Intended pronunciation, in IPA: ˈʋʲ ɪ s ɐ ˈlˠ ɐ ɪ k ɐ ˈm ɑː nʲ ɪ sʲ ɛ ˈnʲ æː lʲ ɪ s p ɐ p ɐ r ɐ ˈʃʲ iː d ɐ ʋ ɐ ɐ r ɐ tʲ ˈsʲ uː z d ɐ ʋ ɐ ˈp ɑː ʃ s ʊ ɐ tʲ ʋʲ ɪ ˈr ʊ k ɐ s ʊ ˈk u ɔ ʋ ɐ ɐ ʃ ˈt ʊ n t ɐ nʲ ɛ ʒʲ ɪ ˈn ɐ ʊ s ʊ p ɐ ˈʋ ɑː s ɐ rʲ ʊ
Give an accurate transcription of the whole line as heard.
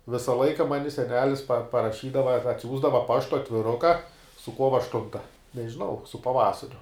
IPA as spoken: ˈʋʲ ɪ s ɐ ˈlˠ ɐ ɪ k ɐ ˈm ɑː nʲ ɪ sʲ ɛ ˈnʲ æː lʲ ɪ s p ɐ p ɐ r ɐ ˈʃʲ iː d ɐ ʋ ɐ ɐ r ɐ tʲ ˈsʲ uː z d ɐ ʋ ɐ ˈp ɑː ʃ t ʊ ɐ tʲ ʋʲ ɪ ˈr ʊ k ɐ s ʊ ˈk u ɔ ʋ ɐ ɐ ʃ ˈt ʊ n t ɐ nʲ ɛ ʒʲ ɪ ˈn ɐ ʊ s ʊ p ɐ ˈʋ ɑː s ɐ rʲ ʊ